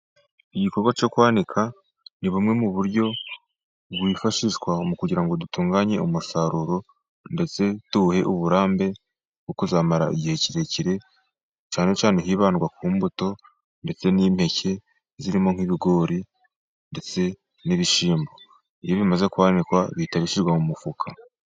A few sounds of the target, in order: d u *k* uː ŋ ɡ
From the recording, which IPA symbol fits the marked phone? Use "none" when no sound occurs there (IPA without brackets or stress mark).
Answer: t